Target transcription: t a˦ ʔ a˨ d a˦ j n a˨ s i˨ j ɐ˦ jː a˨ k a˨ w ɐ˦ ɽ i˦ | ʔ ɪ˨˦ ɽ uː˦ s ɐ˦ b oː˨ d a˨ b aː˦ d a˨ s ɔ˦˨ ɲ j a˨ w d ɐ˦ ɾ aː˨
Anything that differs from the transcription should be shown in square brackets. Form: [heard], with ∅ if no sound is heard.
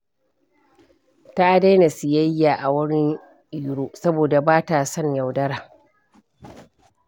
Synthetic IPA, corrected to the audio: t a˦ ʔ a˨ d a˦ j n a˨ s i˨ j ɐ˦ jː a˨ [ʔ] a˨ w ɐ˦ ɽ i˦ | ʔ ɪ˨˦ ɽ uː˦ s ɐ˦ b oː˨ d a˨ b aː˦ [t] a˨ s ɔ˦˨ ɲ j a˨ w d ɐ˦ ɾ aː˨

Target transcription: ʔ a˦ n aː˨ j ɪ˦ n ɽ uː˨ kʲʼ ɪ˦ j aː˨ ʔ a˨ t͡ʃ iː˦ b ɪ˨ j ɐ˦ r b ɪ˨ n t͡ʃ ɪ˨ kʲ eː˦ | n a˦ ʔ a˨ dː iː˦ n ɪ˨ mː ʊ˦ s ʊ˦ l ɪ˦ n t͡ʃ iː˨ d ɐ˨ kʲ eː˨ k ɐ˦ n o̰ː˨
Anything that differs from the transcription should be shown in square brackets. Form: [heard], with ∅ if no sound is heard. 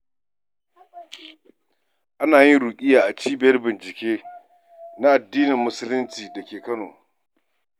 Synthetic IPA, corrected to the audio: ʔ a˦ n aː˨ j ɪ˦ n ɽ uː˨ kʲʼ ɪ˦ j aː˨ ʔ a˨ t͡ʃ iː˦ b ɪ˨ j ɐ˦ r b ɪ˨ n t͡ʃ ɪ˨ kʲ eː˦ | n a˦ ʔ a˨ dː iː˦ n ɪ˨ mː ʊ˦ s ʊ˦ l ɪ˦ n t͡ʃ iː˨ d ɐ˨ kʲ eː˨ k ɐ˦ n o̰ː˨

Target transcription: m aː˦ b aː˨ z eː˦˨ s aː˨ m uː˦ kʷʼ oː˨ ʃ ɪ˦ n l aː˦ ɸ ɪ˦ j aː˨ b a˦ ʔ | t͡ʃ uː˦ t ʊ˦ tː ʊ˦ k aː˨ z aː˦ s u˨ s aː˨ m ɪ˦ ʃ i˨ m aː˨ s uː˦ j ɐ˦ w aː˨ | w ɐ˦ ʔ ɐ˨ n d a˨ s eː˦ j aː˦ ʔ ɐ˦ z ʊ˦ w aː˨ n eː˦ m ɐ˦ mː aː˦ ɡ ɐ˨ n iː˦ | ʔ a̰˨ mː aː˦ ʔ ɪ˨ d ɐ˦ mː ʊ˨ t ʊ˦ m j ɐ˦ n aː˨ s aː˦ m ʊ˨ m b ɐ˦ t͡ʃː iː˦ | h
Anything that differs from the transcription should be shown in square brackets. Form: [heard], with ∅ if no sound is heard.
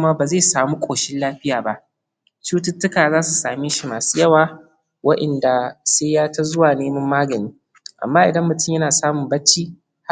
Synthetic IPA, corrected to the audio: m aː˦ b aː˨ z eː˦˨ s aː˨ m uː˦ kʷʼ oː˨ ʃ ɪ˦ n l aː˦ ɸ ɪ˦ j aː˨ b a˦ ʔ | t͡ʃ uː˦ t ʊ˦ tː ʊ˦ k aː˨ z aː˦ s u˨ s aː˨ m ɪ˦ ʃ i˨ m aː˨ s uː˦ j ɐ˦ w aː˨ | w ɐ˦ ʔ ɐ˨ n d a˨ s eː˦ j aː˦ [t] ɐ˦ z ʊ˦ w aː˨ n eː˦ m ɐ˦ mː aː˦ ɡ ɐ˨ n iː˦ | ʔ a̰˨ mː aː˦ ʔ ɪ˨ d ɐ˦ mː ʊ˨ t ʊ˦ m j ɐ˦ n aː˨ s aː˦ m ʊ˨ m b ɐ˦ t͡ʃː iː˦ | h

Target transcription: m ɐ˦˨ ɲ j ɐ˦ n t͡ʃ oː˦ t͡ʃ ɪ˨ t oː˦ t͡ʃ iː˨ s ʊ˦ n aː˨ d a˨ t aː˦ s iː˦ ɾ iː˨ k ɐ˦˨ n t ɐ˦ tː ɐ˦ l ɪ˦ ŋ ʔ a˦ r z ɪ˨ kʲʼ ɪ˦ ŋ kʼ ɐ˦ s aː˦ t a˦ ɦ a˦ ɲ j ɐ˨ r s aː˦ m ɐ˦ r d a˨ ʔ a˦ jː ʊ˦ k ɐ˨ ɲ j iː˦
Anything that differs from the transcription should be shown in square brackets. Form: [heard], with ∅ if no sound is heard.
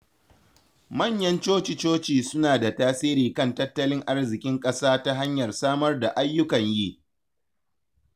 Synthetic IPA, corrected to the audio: m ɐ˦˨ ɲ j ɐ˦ n t͡ʃ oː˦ t͡ʃ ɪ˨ [t͡ʃ] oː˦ t͡ʃ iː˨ s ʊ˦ n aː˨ d a˨ t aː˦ s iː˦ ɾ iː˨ k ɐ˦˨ n t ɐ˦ tː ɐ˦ l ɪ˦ ŋ ʔ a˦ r z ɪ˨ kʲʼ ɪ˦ ŋ kʼ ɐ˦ s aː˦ t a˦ ɦ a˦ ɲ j ɐ˨ r s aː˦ m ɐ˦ r d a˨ ʔ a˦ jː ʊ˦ k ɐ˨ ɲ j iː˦

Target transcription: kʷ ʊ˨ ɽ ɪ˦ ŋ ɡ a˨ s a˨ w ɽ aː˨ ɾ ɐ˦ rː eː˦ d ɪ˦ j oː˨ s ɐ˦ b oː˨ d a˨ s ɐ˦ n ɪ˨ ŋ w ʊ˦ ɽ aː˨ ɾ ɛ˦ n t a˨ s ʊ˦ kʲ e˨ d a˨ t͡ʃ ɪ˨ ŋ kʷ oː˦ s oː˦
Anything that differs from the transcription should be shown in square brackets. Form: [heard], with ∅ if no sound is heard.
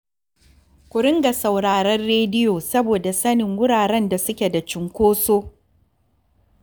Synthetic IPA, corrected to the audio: kʷ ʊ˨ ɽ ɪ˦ ŋ ɡ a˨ s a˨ w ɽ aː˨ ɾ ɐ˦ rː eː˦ d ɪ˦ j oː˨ s ɐ˦ b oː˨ d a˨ s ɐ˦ n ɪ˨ ŋ w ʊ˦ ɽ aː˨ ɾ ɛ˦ n [d] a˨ s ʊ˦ kʲ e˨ d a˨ t͡ʃ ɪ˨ ŋ kʷ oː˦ s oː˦

